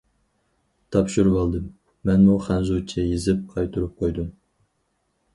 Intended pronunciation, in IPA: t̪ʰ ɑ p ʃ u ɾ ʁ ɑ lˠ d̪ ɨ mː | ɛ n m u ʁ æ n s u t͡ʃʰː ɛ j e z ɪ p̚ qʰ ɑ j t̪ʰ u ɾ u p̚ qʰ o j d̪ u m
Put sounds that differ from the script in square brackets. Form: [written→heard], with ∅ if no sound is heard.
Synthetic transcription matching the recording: t̪ʰ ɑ p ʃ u ɾ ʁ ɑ lˠ d̪ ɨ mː | ɛ n m u [ʁ→χ] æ n [s→z] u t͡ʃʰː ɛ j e z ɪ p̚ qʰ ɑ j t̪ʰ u ɾ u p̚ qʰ o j d̪ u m